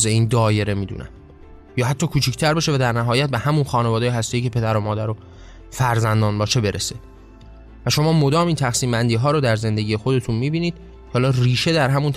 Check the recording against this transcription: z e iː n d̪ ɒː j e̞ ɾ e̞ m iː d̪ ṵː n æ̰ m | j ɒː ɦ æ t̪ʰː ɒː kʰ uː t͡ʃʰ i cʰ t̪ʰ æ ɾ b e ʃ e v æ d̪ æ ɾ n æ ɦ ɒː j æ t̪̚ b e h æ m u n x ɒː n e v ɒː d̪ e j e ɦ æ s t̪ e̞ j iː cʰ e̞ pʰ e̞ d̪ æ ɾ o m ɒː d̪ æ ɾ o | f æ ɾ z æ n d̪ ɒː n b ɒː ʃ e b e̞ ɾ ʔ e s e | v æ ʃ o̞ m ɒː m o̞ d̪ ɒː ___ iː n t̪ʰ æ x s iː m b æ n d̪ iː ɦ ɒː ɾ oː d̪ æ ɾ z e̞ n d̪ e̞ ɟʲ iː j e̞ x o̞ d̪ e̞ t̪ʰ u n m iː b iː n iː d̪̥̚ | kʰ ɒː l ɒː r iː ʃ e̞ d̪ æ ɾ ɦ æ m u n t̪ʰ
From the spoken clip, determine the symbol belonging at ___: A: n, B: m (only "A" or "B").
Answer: B